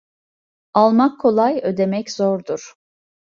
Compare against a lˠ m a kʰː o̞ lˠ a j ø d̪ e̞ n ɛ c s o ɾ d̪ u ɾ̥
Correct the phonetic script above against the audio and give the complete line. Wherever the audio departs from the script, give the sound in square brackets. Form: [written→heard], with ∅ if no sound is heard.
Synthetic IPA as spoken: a lˠ m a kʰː o̞ lˠ a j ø d̪ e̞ [n→m] ɛ c [s→z] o ɾ d̪ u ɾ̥